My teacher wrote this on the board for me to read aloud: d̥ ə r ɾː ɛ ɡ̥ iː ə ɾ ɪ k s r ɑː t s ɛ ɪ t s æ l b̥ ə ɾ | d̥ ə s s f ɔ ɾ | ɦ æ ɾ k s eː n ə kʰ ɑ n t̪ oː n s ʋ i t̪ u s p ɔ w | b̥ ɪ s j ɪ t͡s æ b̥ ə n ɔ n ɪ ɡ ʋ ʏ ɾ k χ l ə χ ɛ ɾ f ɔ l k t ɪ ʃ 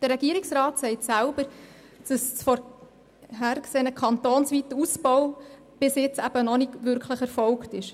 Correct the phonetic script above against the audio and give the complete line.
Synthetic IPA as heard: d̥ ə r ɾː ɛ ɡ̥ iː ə ɾ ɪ k s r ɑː t s ɛ ɪ t s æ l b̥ ə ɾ | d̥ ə s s f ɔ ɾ | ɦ æ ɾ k s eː n ə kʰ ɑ n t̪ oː n s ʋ i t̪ u s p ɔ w | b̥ ɪ s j ɪ t͡s æ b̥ ə n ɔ n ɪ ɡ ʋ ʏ ɾ k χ l ə χ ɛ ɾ f ɔ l k t ɪ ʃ